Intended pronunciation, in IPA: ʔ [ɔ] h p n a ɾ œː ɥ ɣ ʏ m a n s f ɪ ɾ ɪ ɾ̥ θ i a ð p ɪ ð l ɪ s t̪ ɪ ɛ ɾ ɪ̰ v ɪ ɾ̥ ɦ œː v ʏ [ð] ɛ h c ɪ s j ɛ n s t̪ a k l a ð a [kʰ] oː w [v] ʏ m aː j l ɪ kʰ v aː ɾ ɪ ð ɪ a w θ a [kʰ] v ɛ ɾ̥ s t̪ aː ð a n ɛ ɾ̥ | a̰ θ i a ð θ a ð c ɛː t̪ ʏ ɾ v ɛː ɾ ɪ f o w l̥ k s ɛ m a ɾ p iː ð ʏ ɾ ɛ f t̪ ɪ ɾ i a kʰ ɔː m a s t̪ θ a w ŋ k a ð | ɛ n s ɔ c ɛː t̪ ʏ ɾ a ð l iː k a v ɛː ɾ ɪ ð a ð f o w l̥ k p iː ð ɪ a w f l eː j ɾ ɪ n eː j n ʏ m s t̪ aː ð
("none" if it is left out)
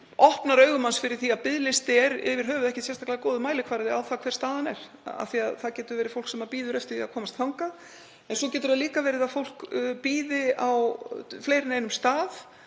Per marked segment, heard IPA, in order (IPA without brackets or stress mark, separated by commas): ɔ, ð, k, ð, kʰ